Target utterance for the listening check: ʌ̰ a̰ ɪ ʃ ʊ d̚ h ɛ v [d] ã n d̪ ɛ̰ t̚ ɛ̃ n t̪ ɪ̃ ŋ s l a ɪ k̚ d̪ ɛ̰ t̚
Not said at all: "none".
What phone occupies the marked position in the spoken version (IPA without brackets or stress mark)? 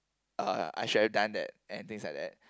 d